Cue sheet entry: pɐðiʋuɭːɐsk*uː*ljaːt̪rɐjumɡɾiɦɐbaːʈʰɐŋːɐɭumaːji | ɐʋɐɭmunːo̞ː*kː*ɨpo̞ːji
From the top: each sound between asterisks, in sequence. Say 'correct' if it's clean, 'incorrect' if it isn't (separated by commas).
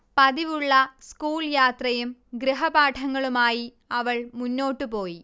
correct, incorrect